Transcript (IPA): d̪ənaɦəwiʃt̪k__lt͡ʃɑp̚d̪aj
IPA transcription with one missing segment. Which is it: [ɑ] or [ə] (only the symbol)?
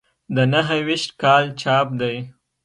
ɑ